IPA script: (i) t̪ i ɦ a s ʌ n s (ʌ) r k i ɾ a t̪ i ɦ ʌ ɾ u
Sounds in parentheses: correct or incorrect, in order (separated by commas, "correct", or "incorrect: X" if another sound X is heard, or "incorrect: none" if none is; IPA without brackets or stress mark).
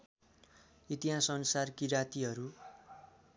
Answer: correct, incorrect: a